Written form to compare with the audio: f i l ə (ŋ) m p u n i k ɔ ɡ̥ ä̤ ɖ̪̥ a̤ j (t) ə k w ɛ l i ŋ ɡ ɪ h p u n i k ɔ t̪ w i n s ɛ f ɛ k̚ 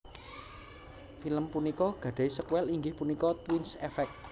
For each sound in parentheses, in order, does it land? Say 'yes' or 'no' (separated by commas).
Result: no, no